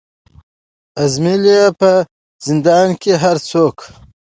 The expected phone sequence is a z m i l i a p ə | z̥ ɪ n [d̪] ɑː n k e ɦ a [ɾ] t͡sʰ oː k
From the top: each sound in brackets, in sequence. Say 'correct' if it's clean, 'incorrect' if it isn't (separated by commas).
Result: correct, correct